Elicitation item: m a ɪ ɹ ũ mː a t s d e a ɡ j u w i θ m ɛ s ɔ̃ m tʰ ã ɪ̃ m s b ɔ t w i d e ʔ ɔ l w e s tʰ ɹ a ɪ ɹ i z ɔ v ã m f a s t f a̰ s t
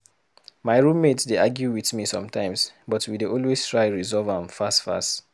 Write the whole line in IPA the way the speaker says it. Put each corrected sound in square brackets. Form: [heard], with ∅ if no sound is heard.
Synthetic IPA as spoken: m a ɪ ɹ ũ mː [e] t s d e a ɡ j u w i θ m [i] s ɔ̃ m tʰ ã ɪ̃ m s b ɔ t w i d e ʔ ɔ l w e s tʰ ɹ a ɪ ɹ i z ɔ v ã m f a s t f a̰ s t